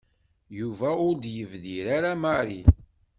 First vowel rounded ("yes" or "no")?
yes